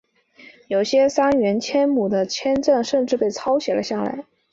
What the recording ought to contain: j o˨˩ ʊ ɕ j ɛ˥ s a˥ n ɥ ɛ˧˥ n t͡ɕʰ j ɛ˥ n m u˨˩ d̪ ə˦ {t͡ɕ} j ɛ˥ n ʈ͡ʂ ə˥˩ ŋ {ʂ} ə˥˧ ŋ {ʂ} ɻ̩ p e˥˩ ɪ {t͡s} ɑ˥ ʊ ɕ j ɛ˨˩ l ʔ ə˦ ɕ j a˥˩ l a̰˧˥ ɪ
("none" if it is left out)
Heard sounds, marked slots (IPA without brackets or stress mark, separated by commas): t͡ɕʰ, ʂ, ʈ͡ʂ, t͡sʰ